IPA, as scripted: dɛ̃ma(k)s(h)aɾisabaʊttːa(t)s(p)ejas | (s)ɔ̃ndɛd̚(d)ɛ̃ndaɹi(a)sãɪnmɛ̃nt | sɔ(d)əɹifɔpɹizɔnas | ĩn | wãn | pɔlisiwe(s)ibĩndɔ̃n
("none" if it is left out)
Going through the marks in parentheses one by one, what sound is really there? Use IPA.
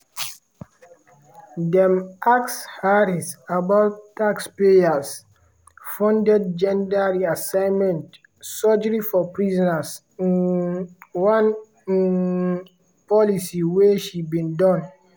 k, h, k, p, f, d͡ʒ, a, d͡ʒ, ʃ

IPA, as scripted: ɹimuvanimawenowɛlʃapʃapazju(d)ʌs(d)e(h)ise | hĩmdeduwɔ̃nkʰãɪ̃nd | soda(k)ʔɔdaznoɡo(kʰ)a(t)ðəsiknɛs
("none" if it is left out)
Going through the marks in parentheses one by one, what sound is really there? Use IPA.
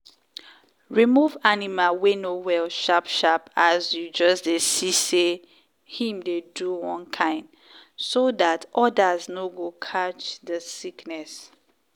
d͡ʒ, d, s, t, kʰ, t͡ʃ

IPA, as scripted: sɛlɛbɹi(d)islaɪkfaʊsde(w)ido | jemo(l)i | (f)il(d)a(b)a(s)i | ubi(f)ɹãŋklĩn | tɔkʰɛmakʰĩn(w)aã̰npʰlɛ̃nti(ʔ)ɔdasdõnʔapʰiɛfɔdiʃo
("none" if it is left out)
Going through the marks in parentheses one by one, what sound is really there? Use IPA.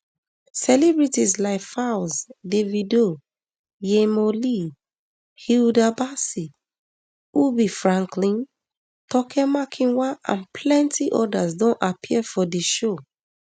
t, v, l, h, d, b, s, f, w, ʔ

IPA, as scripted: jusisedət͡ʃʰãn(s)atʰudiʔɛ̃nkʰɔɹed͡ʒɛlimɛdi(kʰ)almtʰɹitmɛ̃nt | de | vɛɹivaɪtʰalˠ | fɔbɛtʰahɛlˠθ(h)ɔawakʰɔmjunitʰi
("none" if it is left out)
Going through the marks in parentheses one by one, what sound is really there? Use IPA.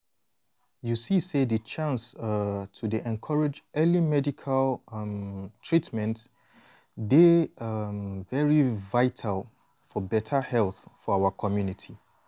s, kʰ, f

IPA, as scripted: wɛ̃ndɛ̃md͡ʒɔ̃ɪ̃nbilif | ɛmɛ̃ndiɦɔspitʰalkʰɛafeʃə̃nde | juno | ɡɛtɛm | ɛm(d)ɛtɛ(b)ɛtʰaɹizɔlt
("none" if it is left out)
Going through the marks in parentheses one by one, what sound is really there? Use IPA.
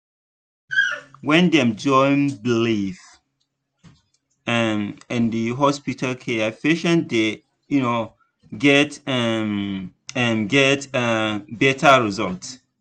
ɡ, b

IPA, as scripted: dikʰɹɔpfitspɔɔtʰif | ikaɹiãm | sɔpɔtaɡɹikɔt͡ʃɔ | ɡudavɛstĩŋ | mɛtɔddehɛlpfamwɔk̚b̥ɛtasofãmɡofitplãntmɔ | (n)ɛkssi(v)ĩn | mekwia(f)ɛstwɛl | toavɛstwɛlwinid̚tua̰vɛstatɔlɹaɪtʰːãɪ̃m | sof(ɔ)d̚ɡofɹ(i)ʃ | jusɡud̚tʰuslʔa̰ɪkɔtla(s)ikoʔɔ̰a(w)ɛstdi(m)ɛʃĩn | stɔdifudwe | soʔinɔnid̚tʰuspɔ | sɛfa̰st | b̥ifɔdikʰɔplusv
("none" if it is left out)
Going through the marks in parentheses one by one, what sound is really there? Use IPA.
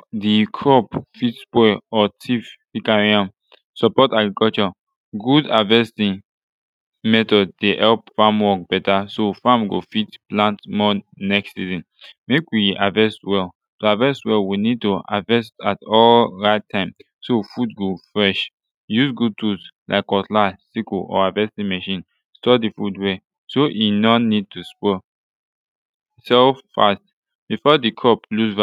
n, z, v, u, ɛ, s, v, m

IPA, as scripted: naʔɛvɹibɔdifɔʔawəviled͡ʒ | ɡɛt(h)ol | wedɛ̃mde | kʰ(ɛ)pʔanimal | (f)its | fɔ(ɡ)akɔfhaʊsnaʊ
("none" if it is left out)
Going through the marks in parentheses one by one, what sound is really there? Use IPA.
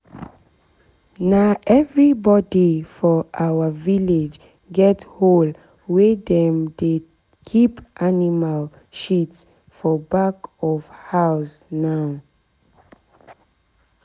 h, i, ʃ, b

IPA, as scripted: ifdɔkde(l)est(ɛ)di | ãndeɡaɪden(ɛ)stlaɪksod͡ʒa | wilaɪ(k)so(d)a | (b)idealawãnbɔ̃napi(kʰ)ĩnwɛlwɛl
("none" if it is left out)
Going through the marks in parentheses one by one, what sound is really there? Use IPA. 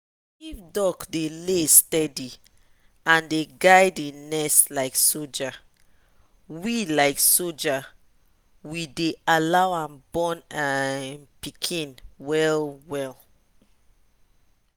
l, ɛ, ɛ, k, d͡ʒ, w, kʰ

